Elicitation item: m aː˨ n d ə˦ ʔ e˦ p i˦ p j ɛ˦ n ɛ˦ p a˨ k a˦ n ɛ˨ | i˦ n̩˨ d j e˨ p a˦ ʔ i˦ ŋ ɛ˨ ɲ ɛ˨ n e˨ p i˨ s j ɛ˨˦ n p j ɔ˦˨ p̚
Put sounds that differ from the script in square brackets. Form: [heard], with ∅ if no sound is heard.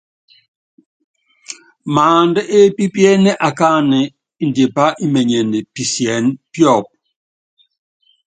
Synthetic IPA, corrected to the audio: m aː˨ n d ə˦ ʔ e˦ p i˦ p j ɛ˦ n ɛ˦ [ʔ] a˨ k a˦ n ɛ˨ | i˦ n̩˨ d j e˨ p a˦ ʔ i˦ [m] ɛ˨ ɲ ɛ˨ n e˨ p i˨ s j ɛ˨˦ n p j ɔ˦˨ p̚